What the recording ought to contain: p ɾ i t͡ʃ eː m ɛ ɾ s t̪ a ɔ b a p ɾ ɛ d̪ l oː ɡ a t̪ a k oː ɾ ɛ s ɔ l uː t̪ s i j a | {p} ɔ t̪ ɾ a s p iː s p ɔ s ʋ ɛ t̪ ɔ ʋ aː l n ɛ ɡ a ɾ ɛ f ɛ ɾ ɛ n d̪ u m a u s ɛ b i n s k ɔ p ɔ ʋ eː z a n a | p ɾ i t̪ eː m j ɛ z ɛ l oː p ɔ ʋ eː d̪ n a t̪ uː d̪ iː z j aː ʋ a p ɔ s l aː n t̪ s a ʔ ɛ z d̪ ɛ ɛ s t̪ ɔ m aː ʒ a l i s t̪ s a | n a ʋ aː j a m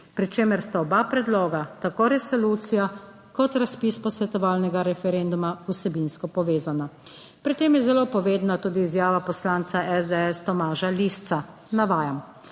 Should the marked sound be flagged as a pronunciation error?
yes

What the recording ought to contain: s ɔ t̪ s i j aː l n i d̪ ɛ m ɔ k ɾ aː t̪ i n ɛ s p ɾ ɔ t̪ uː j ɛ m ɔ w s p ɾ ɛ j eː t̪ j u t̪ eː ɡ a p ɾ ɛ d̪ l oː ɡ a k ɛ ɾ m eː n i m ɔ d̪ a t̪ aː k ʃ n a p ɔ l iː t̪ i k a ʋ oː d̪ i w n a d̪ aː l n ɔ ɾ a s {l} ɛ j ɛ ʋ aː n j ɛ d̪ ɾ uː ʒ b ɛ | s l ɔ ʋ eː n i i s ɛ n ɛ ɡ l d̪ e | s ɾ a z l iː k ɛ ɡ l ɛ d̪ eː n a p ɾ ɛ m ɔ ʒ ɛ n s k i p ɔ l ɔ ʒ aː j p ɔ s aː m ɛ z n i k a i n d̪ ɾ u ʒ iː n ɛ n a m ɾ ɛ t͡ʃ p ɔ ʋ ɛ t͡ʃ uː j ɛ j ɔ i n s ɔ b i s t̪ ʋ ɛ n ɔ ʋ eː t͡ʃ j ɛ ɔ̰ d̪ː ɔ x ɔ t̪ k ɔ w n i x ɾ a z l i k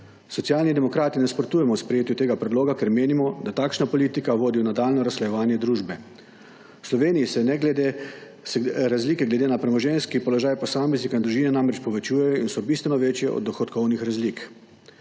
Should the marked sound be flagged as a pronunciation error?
no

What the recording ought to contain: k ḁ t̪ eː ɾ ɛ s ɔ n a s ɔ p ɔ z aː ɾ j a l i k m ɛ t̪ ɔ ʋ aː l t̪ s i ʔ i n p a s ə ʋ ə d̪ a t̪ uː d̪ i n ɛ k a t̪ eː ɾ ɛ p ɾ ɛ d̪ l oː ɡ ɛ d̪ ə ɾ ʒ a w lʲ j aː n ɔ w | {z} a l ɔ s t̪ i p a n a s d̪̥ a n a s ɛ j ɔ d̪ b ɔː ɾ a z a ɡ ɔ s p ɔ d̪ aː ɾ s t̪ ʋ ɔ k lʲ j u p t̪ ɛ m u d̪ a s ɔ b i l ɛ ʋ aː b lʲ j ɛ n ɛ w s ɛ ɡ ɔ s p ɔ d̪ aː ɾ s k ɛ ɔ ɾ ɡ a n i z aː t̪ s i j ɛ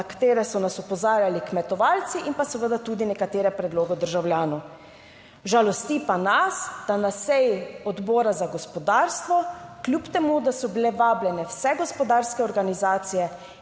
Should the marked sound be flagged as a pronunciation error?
yes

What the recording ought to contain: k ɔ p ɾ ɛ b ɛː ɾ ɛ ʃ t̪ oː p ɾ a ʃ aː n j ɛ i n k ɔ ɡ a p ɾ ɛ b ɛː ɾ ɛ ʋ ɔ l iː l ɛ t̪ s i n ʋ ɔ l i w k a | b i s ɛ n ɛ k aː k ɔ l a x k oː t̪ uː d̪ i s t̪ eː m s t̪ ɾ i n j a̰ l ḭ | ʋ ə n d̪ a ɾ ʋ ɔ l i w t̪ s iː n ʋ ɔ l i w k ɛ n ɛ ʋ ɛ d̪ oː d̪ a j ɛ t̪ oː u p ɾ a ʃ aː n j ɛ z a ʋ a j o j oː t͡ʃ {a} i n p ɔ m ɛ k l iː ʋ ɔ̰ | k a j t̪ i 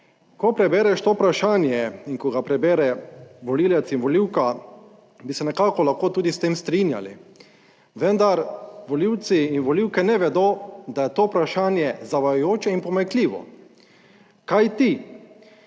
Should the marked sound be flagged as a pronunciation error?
yes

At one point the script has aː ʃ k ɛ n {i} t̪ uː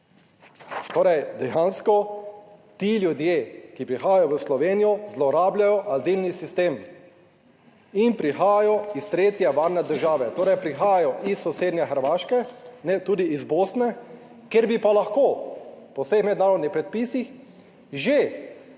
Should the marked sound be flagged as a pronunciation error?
yes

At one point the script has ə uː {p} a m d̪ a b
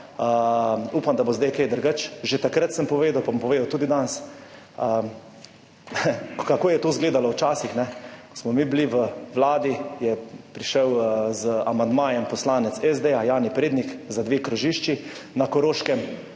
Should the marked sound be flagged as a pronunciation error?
no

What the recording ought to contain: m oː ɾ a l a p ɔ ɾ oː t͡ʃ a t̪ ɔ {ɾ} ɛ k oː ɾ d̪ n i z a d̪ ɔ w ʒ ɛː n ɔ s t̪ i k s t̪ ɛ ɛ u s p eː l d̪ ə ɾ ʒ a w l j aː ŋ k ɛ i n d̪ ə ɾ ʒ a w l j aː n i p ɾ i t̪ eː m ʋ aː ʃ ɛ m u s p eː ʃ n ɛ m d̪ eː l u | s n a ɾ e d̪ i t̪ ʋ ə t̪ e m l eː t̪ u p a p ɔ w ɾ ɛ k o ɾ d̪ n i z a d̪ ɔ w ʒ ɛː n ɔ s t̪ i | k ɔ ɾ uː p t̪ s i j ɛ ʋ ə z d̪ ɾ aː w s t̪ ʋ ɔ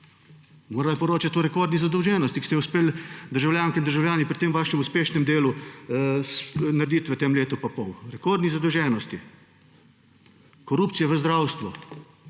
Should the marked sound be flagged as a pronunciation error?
no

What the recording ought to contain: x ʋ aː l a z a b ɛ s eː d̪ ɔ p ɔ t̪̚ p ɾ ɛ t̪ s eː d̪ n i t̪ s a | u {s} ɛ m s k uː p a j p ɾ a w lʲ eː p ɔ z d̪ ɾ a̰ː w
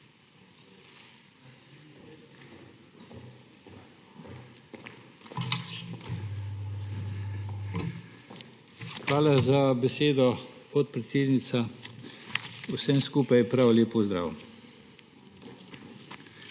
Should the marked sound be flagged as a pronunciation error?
no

